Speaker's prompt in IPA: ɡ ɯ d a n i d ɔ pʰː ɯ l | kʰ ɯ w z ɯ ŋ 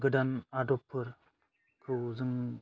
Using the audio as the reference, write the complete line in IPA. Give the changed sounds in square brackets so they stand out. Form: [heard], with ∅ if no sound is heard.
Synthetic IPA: ɡ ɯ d a n [a] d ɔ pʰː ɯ [ɾ] | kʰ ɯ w z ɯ ŋ